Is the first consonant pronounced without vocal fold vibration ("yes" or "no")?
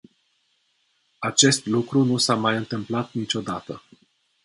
yes